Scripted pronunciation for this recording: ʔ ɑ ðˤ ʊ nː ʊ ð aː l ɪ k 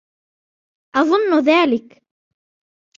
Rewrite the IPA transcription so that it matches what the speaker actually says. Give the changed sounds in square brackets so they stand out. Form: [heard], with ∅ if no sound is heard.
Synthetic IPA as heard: ʔ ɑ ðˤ ʊ nː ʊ ð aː l ɪ k